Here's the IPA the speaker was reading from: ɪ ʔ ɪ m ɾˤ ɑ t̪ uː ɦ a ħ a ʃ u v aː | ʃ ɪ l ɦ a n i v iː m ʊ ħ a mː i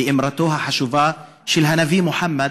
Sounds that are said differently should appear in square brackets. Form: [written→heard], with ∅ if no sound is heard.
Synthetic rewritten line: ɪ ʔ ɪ m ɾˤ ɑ t̪ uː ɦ a ħ a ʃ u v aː | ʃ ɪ l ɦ a n [i→a] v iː m ʊ ħ a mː [i→a]